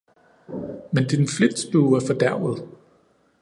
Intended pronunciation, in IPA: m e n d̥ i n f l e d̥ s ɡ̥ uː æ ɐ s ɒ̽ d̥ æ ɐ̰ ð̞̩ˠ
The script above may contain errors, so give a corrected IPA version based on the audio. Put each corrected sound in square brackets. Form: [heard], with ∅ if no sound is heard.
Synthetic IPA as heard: m e n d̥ i n f l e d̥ s [b̥] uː æ ɐ [f] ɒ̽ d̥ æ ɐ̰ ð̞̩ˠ